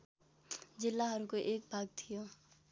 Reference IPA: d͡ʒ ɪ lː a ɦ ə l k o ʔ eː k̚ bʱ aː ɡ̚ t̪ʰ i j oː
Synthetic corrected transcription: d͡ʒ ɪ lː a ɦ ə ɾ k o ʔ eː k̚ bʱ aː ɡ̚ t̪ʰ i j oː